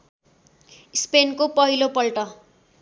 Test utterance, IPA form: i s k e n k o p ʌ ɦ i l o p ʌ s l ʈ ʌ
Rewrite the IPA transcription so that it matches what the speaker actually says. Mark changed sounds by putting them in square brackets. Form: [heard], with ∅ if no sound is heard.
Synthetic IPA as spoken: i s [p] e n k o p ʌ ɦ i l o p ʌ [∅] l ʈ ʌ

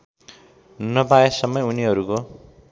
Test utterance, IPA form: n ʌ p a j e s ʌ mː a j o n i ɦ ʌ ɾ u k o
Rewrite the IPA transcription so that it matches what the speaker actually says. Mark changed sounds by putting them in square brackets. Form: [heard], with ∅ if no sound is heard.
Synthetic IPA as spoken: n ʌ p a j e s ʌ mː [ʌ] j [u] n i ɦ ʌ ɾ u k o

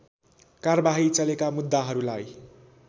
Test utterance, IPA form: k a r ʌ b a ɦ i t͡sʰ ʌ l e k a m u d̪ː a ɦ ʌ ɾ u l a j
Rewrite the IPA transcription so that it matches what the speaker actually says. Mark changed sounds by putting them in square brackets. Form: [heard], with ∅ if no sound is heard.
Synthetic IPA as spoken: k a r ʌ b a ɦ i [t͡s] ʌ l e k a m u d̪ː a ɦ ʌ ɾ u l a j

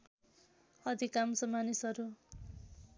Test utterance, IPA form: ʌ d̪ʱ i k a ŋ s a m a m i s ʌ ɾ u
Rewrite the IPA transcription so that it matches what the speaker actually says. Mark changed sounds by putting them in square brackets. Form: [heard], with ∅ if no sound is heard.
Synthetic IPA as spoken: ʌ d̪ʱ i k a [m] s [ʌ] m a [n] i s ʌ ɾ u

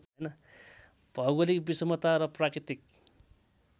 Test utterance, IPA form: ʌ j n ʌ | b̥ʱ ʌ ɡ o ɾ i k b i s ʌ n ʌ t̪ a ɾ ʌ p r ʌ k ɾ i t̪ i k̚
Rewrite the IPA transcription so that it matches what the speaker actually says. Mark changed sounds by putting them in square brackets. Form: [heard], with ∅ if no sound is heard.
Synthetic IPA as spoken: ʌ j n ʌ | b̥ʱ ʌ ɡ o [l] i k b i s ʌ [m] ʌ t̪ a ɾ ʌ p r [a] k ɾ i t̪ i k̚

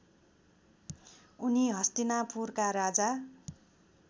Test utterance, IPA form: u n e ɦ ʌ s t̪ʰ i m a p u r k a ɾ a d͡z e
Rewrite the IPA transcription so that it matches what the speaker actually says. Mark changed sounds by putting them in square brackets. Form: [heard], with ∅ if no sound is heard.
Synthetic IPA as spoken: u n [i] ɦ ʌ s [t̪] i [n] a p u r k a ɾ a d͡z [a]

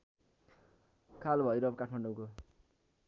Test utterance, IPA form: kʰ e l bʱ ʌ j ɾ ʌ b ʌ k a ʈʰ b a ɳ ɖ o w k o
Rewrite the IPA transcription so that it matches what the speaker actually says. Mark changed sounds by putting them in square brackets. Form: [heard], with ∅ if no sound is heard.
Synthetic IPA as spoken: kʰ [a] l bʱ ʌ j ɾ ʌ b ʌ k a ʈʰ [m] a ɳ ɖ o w k o

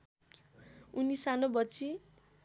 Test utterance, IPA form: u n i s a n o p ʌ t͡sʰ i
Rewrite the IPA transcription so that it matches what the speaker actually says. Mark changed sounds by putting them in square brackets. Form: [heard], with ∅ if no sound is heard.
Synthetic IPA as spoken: u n i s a n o [b] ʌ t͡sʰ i

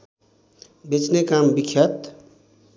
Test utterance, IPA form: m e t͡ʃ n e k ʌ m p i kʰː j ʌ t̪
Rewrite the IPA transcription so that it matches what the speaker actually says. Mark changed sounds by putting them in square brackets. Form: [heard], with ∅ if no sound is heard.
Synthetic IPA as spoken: [b] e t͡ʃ n e k [a] m [b] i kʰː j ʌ t̪

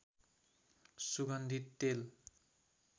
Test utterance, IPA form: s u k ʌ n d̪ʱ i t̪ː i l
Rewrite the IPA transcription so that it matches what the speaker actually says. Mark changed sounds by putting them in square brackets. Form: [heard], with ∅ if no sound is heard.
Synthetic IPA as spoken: s u [ɡ] ʌ n d̪ʱ i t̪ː [e] l

